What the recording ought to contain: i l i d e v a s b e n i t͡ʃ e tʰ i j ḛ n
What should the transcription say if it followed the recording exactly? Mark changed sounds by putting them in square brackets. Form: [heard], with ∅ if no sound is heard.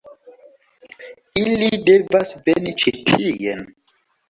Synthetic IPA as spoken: i l i d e v a s [v] e n i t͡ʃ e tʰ i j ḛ n